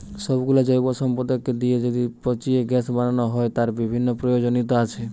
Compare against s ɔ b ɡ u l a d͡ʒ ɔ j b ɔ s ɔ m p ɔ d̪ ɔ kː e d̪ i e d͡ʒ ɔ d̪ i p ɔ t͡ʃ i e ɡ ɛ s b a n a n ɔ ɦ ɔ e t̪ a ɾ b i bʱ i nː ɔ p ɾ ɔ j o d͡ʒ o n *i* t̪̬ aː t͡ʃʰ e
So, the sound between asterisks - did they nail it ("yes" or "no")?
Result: yes